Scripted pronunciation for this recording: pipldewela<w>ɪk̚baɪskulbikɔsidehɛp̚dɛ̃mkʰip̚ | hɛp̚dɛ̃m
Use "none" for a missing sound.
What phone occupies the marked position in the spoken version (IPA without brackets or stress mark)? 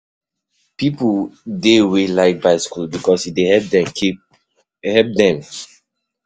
none